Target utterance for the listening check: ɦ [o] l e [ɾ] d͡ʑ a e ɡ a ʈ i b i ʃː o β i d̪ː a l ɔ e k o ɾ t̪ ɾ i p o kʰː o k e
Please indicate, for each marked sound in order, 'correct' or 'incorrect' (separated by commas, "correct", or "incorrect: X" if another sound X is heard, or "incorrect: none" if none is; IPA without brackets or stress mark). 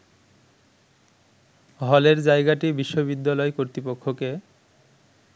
incorrect: ɔ, correct